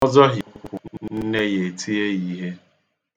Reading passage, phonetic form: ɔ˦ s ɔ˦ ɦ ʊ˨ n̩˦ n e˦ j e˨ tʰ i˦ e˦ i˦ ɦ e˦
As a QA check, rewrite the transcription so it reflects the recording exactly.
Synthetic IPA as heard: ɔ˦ z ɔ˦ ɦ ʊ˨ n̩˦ n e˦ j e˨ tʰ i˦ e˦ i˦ ɦ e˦